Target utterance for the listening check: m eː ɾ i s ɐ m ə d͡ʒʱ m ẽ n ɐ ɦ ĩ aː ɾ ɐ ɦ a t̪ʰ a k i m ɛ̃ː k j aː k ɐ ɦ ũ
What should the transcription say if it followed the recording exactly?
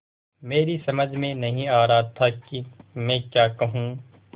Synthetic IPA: m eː ɾ i s ɐ m ə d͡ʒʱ m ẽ n ɐ ɦ ĩ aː ɾ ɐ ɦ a t̪ʰ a k i m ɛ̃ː k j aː k ɐ ɦ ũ